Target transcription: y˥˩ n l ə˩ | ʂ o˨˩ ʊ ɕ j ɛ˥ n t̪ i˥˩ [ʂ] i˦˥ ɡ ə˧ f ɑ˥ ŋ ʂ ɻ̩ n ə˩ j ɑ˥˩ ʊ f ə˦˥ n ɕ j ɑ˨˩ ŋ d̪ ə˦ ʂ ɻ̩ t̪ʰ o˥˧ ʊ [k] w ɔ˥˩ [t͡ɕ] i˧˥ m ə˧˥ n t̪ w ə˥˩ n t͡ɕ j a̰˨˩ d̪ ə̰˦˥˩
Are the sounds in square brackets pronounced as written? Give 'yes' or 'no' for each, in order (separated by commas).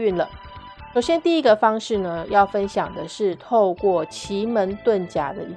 no, yes, no